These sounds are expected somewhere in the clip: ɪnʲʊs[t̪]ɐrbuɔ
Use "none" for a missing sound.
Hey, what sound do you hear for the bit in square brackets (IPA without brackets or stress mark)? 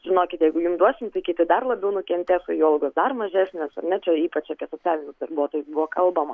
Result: d̪